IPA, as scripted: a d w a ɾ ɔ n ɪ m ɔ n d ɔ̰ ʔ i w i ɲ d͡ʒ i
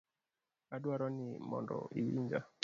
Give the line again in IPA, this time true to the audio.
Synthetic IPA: a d w a ɾ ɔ n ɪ m ɔ n d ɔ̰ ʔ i w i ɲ d͡ʒ a